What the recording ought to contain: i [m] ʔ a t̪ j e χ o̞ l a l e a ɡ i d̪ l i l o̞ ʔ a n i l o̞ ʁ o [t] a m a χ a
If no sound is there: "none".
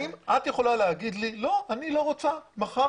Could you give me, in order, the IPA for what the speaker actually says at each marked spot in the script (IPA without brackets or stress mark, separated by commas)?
m, t͡s